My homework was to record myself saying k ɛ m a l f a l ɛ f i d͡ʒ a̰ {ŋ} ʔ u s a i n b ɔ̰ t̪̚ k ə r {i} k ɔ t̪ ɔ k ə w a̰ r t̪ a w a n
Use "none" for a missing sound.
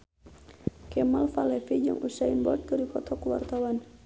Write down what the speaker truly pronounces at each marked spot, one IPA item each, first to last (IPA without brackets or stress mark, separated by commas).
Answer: ŋ, i